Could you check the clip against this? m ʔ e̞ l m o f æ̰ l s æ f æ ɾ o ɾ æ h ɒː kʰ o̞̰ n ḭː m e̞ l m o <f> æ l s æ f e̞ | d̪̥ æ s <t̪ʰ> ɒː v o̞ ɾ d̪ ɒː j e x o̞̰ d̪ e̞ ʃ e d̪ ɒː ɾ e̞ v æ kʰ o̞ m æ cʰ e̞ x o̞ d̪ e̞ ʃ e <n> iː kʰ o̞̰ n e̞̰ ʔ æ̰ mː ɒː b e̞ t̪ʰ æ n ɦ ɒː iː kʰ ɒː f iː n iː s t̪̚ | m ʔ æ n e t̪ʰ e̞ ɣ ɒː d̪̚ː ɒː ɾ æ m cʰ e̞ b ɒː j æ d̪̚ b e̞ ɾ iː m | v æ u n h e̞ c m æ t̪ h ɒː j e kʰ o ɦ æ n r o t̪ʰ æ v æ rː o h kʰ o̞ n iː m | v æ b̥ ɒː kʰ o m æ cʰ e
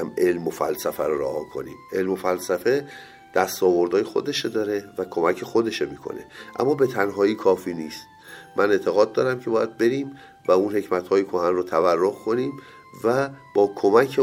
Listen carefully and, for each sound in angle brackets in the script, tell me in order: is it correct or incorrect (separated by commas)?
correct, incorrect, incorrect